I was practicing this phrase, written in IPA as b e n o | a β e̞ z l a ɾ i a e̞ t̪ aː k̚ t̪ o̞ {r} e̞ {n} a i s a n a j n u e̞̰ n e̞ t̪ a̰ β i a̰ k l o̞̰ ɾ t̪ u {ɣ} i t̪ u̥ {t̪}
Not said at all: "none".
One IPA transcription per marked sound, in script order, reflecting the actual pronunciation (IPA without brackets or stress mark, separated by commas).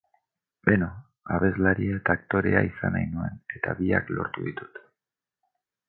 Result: ɾ, none, ð, t̪